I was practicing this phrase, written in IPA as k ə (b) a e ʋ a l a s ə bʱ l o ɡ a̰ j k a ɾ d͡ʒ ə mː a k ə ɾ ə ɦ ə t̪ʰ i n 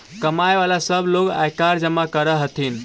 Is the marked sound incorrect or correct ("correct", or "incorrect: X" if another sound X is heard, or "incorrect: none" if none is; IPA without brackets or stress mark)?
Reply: incorrect: m